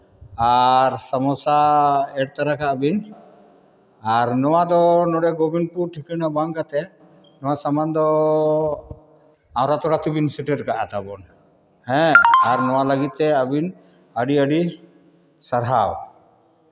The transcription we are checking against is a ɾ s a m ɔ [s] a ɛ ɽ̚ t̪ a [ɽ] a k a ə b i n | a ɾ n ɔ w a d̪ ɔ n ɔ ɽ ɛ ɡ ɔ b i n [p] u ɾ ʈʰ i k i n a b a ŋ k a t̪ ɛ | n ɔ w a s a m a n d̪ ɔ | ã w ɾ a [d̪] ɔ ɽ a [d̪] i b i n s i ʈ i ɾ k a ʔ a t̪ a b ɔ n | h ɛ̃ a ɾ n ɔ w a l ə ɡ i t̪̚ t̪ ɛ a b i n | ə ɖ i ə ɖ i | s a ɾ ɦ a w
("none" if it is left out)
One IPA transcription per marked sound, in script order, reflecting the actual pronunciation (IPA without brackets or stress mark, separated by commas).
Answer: s, ɾ, p, t̪, t̪